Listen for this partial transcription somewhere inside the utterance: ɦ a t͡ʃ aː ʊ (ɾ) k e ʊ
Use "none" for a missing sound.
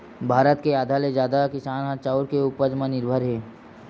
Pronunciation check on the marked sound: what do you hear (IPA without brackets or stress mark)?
ɾ